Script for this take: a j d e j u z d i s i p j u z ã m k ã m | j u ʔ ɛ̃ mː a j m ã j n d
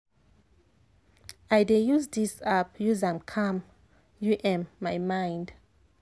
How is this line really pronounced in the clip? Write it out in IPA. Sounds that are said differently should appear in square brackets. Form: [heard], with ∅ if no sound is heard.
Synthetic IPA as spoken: a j d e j u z d i s [a] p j u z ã m [kʰ] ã m | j u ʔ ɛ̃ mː a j m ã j n d

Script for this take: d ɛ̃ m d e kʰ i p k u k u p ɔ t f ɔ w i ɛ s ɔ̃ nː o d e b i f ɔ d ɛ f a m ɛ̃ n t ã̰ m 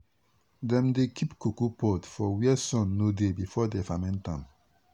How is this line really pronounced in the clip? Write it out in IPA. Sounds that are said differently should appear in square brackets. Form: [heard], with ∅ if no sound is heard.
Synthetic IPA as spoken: d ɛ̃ m d e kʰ i p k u k u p ɔ t f ɔ w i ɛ s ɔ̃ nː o d e b i f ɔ d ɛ f a m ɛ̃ n t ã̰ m

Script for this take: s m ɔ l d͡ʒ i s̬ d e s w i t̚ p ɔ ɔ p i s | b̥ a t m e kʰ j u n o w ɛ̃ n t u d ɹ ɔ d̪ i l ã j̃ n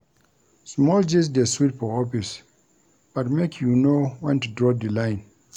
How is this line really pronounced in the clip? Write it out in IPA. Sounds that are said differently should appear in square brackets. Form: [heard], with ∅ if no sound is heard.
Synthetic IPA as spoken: s m ɔ l d͡ʒ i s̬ d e s w i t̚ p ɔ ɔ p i s | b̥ a t m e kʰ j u n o w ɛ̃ n t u d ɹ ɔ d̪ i l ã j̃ n

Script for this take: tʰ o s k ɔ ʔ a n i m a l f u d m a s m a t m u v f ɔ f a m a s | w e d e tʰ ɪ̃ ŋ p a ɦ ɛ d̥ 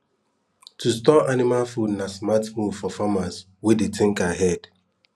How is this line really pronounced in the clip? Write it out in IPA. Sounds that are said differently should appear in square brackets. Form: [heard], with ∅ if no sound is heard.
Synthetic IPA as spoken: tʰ [u] s [t] ɔ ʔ a n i m a l f u d [n] a s m a t m u v f ɔ f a m a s | w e d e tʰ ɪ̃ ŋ [k] a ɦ ɛ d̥

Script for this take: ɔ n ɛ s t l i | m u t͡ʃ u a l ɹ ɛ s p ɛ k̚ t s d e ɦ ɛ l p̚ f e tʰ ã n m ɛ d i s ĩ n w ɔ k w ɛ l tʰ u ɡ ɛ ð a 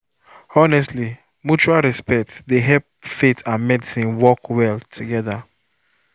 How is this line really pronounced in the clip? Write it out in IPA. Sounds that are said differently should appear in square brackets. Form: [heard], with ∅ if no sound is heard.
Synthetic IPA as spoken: ɔ n ɛ s t l i | m u t͡ʃ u a l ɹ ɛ s p ɛ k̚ t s d e ɦ ɛ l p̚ f e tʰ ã n m ɛ d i s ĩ n w ɔ k w ɛ l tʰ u ɡ ɛ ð a

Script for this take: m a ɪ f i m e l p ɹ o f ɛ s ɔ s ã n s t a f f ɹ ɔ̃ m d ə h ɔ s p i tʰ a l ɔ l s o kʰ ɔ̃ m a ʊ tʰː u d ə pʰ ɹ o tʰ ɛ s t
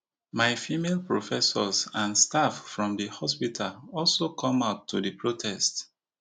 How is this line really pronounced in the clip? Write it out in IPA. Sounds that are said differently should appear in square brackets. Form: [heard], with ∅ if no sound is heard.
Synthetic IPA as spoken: m a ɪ f i m e l p ɹ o f ɛ s ɔ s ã n s t a f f ɹ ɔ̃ m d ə h ɔ s p i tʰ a l ɔ l s o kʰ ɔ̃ m a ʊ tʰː u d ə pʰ ɹ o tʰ ɛ s t

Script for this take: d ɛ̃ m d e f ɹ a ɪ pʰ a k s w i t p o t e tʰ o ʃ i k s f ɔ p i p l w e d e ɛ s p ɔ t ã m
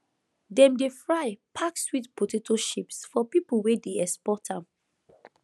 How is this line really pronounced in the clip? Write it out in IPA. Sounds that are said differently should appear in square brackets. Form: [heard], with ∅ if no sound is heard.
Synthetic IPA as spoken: d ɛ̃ m d e f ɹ a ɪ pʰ a k s w i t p o t e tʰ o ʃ i [p] s f ɔ p i p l w e d e ɛ s p ɔ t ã m

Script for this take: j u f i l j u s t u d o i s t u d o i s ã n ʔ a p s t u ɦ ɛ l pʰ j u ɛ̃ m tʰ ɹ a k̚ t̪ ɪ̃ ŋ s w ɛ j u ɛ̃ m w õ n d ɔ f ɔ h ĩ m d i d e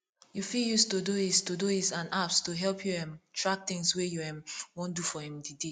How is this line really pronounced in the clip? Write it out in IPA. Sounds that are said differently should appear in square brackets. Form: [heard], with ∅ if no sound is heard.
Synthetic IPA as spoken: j u f i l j u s t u d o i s t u d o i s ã n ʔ a p s t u ɦ ɛ l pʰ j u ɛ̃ m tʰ ɹ a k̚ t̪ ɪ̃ ŋ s w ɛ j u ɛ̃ m w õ n d [u] f ɔ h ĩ m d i d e

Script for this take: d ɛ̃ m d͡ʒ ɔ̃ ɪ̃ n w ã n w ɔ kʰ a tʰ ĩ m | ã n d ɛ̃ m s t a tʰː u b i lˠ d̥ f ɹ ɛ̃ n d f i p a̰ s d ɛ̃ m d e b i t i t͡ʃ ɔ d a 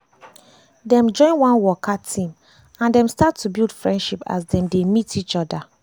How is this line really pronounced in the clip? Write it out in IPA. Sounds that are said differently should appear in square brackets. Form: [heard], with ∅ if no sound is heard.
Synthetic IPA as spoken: d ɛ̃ m d͡ʒ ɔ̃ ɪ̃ n w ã n w ɔ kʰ a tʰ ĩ m | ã n d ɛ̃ m s t a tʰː u b i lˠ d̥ f ɹ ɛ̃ n d [ʃ] i p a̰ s d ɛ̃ m d e [m] i t i t͡ʃ ɔ d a

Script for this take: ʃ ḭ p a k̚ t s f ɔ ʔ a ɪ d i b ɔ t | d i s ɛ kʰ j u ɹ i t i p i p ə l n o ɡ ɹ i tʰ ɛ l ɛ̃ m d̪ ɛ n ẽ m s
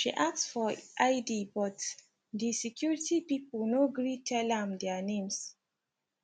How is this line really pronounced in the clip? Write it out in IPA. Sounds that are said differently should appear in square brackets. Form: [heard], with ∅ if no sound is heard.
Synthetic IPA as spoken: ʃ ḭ [ʔ] a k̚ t s f ɔ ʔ a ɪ d i b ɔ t | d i s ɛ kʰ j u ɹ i t i p i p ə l n o ɡ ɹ i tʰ ɛ l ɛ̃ m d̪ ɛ n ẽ m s

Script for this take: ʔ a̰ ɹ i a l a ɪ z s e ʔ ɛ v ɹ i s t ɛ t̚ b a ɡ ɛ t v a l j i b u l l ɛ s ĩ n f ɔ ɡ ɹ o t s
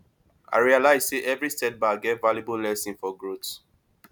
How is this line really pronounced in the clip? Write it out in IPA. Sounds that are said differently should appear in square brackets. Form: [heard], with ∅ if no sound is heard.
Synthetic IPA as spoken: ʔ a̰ ɹ i a l a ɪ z s e ʔ ɛ v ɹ i s t ɛ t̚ b a ɡ ɛ t v a l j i b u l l ɛ s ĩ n f ɔ ɡ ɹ o t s

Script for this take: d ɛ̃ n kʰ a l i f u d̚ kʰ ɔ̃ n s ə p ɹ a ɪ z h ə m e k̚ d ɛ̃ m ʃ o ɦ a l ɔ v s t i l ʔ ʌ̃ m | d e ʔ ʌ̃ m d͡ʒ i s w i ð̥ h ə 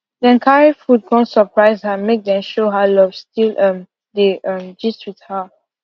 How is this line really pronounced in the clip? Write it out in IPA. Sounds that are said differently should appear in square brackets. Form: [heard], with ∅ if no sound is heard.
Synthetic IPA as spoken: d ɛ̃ n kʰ a [ɹ] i f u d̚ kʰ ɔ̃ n s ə p ɹ a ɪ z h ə m e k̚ d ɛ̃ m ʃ o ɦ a l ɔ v s t i l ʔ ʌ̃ m | d e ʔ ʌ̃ m d͡ʒ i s w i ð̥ h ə

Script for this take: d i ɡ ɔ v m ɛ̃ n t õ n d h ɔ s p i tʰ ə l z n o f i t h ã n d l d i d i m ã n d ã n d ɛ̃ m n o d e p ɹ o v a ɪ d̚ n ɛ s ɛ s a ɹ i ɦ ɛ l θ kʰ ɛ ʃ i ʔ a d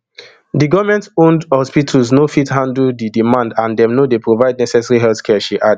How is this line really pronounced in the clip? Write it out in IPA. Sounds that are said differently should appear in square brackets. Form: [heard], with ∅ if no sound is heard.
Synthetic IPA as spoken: d i ɡ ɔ v m ɛ̃ n t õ n d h ɔ s p i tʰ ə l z n o f i t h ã n d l d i d i m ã n d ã n d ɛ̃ m n o d e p ɹ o v a ɪ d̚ n ɛ s ɛ s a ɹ i ɦ ɛ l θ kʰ ɛ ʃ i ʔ a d

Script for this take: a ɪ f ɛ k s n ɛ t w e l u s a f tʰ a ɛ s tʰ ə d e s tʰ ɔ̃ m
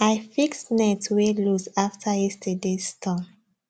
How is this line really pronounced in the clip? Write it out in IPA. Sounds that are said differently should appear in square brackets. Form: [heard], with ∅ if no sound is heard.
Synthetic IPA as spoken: a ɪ f [i] k s n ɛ t w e l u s a f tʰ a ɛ s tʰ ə d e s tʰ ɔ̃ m

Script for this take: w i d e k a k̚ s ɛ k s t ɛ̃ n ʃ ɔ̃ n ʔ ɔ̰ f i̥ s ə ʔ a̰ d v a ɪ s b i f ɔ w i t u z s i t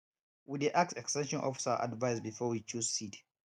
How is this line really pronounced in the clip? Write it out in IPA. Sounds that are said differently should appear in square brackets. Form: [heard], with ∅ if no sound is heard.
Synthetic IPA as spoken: w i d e [ʔ] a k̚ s ɛ k s t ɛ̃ n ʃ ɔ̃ n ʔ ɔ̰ f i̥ s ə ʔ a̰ d v a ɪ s b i f ɔ w i [t͡ʃ] u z s i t

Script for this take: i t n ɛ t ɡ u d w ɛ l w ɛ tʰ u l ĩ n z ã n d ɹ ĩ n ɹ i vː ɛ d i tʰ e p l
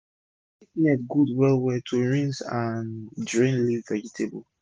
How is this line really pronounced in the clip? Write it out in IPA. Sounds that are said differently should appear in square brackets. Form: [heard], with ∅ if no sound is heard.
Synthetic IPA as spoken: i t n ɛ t ɡ u d w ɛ l w ɛ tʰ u [ɹ] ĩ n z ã n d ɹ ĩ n [l] i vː ɛ [d͡ʒ] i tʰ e [b] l

